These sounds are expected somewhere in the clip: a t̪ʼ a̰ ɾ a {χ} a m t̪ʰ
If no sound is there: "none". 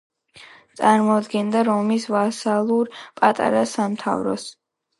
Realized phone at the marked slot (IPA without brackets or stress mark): s